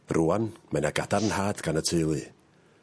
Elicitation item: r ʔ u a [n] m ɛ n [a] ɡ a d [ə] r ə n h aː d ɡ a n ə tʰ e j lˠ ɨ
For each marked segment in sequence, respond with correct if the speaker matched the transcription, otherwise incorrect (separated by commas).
correct, correct, incorrect